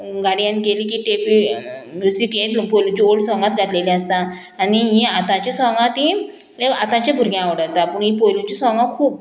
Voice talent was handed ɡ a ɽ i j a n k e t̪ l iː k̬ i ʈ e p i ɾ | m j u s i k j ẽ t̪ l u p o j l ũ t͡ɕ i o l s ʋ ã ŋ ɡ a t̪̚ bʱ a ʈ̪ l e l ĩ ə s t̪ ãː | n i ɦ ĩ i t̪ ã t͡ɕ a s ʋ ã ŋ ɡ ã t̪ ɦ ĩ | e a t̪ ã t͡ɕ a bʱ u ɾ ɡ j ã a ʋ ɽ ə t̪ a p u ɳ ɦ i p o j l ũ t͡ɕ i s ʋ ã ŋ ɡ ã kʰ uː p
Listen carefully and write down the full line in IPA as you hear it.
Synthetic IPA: ɡ a ɽ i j a n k e l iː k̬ i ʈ e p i | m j u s i k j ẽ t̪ l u p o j l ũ t͡ɕ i o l s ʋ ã ŋ ɡ a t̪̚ ɡʱ a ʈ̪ l e l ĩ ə s t̪ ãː | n i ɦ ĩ a t̪ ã t͡ɕ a s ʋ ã ŋ ɡ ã t̪ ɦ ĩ | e a t̪ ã t͡ɕ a bʱ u ɾ ɡ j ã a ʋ ɽ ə t̪ a p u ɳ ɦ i p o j l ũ t͡ɕ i s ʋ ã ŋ ɡ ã kʰ uː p